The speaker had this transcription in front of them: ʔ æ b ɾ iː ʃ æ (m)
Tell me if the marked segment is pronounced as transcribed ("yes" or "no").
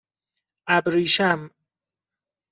yes